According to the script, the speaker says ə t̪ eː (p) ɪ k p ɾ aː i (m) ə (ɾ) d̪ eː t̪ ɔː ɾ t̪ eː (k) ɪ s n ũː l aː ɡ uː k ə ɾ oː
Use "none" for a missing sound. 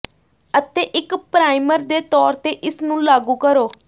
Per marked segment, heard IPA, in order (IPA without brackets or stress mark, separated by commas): ʔ, m, ɾ, ʔ